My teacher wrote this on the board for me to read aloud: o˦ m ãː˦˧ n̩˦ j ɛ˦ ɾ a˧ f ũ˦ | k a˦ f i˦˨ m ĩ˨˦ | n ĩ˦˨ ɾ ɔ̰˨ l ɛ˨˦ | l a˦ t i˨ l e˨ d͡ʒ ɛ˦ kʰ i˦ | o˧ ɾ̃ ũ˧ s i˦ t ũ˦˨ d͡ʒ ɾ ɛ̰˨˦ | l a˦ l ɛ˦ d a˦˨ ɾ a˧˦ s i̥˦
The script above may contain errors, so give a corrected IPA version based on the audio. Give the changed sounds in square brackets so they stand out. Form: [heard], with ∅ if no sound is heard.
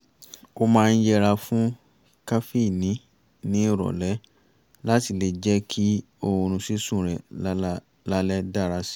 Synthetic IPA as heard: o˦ m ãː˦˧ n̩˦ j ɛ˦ ɾ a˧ f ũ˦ | k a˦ f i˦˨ [n] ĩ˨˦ | n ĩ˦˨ ɾ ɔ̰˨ l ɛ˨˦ | l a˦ t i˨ l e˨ d͡ʒ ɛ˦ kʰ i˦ | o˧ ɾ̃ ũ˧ s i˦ [s] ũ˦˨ [∅] ɾ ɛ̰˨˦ | l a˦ l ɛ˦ d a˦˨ ɾ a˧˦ s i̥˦